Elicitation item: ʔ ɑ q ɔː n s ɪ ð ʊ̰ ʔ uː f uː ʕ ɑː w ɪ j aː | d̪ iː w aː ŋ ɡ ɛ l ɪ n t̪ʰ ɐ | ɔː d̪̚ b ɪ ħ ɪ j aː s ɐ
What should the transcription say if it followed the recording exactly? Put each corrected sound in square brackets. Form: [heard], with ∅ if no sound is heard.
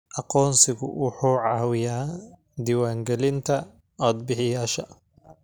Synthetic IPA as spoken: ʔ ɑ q ɔː n s ɪ [ɣ] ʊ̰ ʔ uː [ħ] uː ʕ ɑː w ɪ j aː | d̪ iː w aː ŋ ɡ ɛ l ɪ n t̪ʰ ɐ | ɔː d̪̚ b ɪ ħ ɪ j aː [ʃ] ɐ